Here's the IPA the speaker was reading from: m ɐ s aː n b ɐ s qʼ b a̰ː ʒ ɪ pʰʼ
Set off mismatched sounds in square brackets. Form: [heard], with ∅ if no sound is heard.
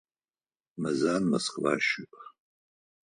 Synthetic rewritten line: m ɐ [z] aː n [m] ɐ s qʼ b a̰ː [ʃ] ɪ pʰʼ